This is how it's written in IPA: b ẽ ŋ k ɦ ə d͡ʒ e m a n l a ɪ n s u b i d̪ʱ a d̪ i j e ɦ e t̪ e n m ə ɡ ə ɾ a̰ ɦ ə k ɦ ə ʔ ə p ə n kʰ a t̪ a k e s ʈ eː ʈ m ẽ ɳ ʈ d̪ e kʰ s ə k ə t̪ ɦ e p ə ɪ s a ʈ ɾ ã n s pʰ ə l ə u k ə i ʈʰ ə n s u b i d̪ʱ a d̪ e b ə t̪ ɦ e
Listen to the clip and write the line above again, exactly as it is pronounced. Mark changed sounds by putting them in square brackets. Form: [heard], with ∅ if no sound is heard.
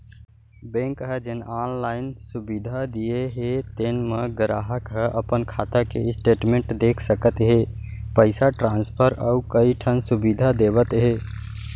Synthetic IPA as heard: b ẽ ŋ k ɦ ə d͡ʒ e [n] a n l a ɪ n s u b i d̪ʱ a d̪ i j e ɦ e t̪ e n m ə ɡ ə ɾ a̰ ɦ ə k ɦ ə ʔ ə p ə n kʰ a t̪ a k e s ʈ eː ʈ m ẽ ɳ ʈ d̪ e kʰ s ə k ə t̪ ɦ e p ə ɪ s a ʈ ɾ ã n s pʰ ə [ɾ] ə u k ə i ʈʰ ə n s u b i d̪ʱ a d̪ e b ə t̪ ɦ e